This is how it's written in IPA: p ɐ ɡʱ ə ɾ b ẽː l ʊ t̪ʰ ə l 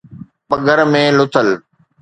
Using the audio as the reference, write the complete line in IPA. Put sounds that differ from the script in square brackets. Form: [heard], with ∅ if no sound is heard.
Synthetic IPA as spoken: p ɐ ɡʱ ə ɾ [m] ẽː l ʊ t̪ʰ ə l